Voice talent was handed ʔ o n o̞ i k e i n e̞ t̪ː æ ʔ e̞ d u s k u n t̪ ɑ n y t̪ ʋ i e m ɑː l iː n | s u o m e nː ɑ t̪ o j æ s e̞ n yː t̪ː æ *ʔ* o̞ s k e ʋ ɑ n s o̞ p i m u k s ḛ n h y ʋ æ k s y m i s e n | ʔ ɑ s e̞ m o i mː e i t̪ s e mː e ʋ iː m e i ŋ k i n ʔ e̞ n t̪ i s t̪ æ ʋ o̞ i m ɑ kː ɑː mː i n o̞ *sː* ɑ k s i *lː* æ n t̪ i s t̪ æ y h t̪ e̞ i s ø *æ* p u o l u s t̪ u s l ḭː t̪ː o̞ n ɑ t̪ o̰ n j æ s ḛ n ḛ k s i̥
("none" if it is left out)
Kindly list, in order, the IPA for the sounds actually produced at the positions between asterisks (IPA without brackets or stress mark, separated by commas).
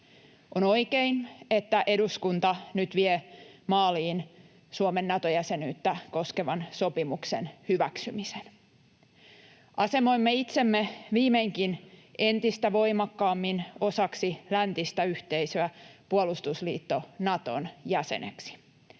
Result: k, s, l, æ